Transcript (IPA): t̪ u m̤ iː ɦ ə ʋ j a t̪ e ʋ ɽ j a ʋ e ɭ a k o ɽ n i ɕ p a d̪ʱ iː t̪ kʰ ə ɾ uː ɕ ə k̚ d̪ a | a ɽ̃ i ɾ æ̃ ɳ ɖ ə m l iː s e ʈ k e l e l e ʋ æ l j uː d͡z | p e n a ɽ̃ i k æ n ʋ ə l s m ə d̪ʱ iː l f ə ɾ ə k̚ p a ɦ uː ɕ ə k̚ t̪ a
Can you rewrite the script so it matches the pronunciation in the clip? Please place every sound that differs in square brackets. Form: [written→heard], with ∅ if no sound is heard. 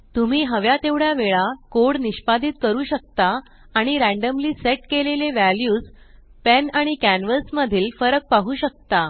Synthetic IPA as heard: t̪ u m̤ iː ɦ ə ʋ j a t̪ e ʋ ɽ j a ʋ e ɭ a k o ɽ n i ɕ p a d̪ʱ iː t̪ [kʰ→k] ə ɾ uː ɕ ə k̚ [d̪→t̪] a | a ɽ̃ i ɾ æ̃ ɳ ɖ ə m l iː s e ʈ k e l e l e ʋ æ l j uː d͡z | p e n a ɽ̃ i k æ n ʋ ə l s m ə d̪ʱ iː l f ə ɾ ə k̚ p a ɦ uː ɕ ə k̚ t̪ a